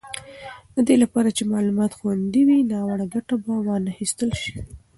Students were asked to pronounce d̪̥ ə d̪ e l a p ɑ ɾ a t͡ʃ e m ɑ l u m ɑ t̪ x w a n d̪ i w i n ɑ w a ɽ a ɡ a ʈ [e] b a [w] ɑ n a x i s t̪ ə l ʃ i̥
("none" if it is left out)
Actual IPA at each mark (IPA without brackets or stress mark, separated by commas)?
a, w